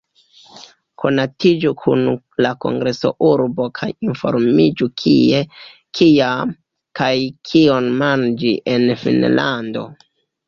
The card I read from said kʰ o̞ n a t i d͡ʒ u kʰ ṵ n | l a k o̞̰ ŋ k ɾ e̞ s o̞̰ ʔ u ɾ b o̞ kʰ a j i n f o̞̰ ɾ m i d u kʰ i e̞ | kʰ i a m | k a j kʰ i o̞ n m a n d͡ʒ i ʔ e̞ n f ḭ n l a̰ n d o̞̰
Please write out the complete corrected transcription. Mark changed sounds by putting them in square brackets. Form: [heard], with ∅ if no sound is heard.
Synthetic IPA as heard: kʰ o̞ n a t i d͡ʒ u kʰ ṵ n | l a k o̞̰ ŋ [ɡ] ɾ e̞ s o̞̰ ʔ u ɾ b o̞ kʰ a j i n f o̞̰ ɾ m i [d͡ʒ] u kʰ i e̞ | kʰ i a m | k a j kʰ i o̞ n m a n d͡ʒ i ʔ e̞ n f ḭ n l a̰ n d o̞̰